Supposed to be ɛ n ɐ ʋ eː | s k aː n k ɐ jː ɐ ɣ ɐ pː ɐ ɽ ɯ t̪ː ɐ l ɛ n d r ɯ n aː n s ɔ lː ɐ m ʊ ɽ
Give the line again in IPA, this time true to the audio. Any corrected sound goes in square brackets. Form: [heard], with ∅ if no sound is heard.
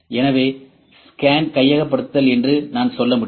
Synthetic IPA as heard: ɛ n ɐ ʋ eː | s k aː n k ɐ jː ɐ ɣ ɐ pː ɐ ɽ ɯ t̪ː ɐ l ɛ n d r ɯ n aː n s ɔ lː ɐ m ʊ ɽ